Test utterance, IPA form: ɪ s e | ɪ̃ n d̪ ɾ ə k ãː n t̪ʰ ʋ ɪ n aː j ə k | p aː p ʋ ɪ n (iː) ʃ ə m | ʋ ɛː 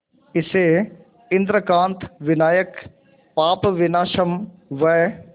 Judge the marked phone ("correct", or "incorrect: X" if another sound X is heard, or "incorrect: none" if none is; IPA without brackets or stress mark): incorrect: aː